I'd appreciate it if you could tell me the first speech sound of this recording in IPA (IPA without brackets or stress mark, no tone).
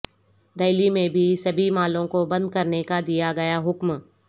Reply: d̪